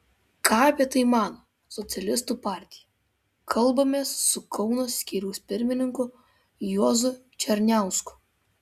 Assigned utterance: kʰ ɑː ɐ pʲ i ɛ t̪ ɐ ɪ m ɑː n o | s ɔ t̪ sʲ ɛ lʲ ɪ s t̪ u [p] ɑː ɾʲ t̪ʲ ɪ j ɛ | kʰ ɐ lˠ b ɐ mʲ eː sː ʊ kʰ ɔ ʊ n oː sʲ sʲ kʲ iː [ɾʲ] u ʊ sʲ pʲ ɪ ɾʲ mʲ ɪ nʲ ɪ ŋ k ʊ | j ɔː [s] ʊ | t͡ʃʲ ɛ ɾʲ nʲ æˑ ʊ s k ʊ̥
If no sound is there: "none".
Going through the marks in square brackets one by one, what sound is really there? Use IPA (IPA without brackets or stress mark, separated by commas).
p, ɾʲ, z